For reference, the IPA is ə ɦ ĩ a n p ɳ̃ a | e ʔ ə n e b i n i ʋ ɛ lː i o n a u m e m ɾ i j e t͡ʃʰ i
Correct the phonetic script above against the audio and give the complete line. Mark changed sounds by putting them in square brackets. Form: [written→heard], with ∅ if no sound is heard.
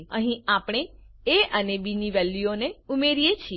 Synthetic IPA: ə ɦ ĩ a [n→∅] p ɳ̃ [a→e] | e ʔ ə n e b i n i ʋ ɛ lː i o n [a→e] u m e [m→∅] ɾ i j e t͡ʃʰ i